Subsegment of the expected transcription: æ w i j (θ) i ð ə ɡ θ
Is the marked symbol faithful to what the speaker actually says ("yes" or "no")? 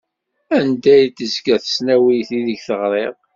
yes